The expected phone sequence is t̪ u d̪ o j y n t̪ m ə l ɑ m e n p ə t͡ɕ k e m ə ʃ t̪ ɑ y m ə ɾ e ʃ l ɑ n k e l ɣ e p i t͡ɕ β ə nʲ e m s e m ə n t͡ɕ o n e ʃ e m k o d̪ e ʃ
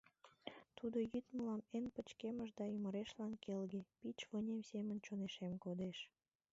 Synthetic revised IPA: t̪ u d̪ o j y t̪ m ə l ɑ m e n p ə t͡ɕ k e m ə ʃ d̪ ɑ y m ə ɾ e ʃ l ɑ n k e l ɣ e p i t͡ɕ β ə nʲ e m s e m ə n t͡ɕ o n e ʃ e m k o d̪ e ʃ